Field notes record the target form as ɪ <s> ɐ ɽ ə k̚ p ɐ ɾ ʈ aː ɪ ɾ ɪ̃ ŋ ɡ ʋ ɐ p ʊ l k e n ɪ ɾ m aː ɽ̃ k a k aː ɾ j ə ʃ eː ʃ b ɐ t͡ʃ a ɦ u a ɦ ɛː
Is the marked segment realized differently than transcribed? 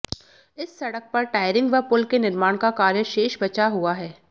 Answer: yes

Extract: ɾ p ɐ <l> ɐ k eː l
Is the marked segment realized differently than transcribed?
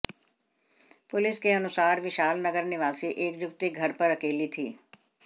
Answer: yes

